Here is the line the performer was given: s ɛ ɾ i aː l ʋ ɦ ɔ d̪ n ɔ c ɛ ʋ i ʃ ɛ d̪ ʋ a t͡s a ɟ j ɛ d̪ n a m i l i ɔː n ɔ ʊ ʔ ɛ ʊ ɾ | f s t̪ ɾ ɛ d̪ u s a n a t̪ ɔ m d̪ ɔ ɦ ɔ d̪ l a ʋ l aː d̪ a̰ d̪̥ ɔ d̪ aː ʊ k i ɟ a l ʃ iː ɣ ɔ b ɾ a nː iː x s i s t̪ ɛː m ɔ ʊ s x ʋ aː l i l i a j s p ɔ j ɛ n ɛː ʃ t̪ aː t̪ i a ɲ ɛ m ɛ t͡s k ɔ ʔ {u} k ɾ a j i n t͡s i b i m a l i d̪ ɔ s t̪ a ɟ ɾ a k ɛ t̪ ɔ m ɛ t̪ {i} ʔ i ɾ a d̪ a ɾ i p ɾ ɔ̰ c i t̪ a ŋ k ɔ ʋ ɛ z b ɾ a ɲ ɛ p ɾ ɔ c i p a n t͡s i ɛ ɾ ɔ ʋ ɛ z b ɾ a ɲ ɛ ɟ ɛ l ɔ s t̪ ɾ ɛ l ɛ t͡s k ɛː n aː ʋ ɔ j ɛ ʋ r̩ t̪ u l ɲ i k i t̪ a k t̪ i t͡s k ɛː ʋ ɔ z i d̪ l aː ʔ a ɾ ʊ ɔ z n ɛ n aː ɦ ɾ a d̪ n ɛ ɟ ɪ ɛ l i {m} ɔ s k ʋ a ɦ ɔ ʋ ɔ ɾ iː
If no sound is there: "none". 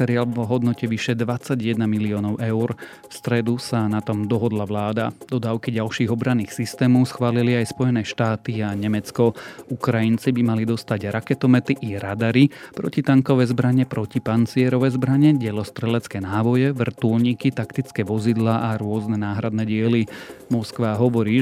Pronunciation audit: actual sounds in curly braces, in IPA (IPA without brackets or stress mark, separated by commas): u, i, m